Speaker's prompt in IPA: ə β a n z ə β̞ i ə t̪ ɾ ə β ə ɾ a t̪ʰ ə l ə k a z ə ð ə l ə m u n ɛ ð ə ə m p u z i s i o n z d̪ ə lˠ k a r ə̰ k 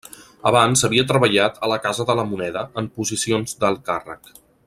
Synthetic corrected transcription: ə β a n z ə β̞ i ə t̪ ɾ ə β ə ʎ a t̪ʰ ə l ə k a z ə ð ə l ə m u n ɛ ð ə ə m p u z i s i o n z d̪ ə lˠ k a r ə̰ k